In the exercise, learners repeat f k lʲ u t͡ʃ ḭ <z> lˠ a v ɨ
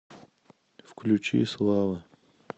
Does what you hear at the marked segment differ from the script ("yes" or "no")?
yes